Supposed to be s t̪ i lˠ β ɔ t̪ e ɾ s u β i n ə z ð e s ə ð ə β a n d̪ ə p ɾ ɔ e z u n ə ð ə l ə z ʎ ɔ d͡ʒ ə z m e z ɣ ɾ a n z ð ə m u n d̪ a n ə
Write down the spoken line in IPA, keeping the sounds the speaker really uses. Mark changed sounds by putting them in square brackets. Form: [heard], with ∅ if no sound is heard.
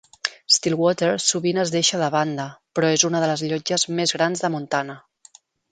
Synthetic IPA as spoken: s t̪ i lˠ [w] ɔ t̪ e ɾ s u β i n ə z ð e [ʃ] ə ð ə β a n d̪ ə p ɾ ɔ e z u n ə ð ə l ə z ʎ ɔ d͡ʒ ə z m e z ɣ ɾ a n z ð ə m u n [t̪] a n ə